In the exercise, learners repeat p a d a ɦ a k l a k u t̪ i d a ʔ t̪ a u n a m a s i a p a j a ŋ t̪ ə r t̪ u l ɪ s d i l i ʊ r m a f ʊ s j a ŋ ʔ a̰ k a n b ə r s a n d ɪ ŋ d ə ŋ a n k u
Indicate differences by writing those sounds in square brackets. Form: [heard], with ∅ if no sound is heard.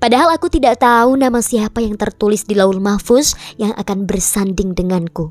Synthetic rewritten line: p a d a ɦ a [∅] l a k u t̪ i d a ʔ t̪ a u n a m a s i a p a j a ŋ t̪ ə r t̪ u l ɪ s d i l [a] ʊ [l] m a f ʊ s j a ŋ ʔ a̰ k a n b ə r s a n d ɪ ŋ d ə ŋ a n k u